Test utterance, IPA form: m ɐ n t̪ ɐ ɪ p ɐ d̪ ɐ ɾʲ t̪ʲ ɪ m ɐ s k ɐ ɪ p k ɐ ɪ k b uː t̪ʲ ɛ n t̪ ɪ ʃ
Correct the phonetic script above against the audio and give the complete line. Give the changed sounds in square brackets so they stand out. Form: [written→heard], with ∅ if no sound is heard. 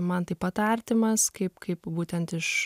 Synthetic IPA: m ɐ n t̪ ɐ ɪ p ɐ [d̪→t̪] ɐ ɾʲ t̪ʲ ɪ m ɐ s k ɐ ɪ p k ɐ ɪ [k→p] b uː t̪ʲ ɛ n t̪ ɪ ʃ